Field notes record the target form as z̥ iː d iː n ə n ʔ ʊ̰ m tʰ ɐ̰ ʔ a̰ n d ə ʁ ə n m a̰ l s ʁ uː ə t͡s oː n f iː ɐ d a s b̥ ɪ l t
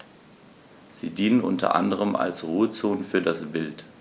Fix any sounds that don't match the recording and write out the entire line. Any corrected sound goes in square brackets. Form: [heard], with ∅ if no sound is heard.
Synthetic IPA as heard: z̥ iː d iː n ə n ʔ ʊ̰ [n] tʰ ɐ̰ ʔ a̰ n d ə ʁ ə [∅] m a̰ l s ʁ uː ə t͡s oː n f [yː] ɐ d a s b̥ ɪ l t